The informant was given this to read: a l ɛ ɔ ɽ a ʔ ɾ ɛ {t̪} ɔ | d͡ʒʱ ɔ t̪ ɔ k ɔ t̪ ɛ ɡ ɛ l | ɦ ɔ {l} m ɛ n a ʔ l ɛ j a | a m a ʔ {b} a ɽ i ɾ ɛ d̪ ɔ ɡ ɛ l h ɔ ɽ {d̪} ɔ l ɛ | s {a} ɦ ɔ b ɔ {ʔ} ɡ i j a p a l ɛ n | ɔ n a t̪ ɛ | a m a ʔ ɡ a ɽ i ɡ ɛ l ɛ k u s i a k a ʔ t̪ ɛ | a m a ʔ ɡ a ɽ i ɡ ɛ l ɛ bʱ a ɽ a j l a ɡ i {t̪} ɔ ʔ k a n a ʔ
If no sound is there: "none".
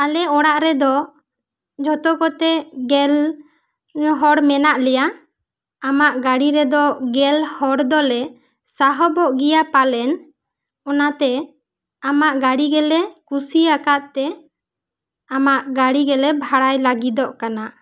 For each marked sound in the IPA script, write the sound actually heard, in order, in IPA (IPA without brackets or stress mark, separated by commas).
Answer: d̪, ɽ, ɡ, d̪, a, ʔ, d̪